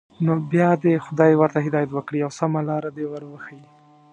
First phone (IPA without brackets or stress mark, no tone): n